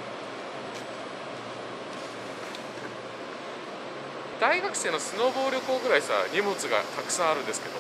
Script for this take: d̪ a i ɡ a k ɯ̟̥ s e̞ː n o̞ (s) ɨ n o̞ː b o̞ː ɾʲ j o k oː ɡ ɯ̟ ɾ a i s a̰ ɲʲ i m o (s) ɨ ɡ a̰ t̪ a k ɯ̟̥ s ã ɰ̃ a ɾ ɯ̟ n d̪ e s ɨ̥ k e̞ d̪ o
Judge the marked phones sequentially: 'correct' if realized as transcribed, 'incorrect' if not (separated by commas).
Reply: correct, incorrect